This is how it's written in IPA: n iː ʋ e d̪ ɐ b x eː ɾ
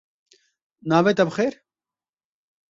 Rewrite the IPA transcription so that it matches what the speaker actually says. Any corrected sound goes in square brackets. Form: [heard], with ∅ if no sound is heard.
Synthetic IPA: n [aː] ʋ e [t̪] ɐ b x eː ɾ